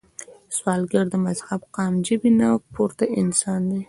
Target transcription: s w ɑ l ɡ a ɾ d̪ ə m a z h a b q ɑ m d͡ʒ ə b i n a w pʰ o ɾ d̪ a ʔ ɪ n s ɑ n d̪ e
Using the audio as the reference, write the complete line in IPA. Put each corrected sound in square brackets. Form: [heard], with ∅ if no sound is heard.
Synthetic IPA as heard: s w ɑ l ɡ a ɾ d̪ ə m a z h a b q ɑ m d͡ʒ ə b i n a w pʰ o ɾ [t̪] a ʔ ɪ n s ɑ n d̪ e